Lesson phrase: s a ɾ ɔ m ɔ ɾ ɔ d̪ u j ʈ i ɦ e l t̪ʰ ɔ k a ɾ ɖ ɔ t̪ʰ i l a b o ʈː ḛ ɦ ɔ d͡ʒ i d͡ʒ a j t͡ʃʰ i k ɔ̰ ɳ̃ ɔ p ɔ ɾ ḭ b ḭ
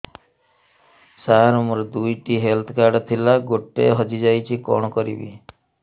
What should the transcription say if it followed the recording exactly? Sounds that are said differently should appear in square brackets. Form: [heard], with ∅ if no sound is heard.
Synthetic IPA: s a ɾ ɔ m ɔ ɾ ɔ d̪ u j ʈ i ɦ e l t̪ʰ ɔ k a ɾ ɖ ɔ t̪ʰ i l a [ɡ] o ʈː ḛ ɦ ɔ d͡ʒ i d͡ʒ a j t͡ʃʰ i k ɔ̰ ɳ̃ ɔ [k] ɔ ɾ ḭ b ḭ

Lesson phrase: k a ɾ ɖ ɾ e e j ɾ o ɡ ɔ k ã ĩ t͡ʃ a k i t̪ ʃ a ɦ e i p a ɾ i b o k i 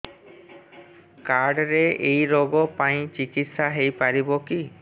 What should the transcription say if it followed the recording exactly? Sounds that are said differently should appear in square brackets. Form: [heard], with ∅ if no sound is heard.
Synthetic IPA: k a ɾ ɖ ɾ e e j ɾ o ɡ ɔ [p] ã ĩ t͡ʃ [i] k i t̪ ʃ a ɦ e [j] p a ɾ i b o k i

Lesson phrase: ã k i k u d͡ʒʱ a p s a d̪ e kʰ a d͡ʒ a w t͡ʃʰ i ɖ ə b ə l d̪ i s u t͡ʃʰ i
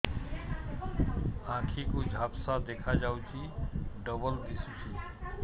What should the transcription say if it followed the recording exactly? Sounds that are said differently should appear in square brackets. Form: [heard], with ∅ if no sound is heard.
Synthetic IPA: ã [kʰ] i k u d͡ʒʱ a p s a d̪ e kʰ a d͡ʒ a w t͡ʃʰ i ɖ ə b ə l d̪ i s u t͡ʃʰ i

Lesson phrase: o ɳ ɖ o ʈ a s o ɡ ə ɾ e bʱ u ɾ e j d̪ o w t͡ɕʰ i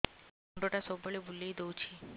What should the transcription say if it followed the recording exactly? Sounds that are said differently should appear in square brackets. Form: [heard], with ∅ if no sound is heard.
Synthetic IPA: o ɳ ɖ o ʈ a s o [b] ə [ɭ] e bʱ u [l] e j d̪ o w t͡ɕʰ i

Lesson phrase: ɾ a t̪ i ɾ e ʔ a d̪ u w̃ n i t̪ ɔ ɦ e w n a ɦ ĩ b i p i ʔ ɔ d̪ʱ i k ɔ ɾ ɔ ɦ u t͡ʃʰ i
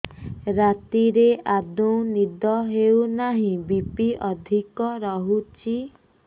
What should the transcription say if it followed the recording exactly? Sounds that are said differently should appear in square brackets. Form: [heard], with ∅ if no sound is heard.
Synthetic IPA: ɾ a t̪ i ɾ e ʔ a d̪ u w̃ n i [d̪] ɔ ɦ e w n a ɦ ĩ b i p i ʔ ɔ d̪ʱ i k ɔ ɾ ɔ ɦ u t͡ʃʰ i

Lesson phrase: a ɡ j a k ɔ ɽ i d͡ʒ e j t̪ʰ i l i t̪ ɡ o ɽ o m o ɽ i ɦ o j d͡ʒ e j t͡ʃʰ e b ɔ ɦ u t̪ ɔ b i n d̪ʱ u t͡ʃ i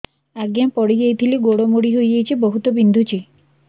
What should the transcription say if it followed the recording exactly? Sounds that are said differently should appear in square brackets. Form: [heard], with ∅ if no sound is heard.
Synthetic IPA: a ɡ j a [p] ɔ ɽ i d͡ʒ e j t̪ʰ i l i [∅] ɡ o ɽ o m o ɽ i ɦ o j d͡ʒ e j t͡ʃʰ [i] b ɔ ɦ u t̪ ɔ b i n d̪ʱ u t͡ʃ i

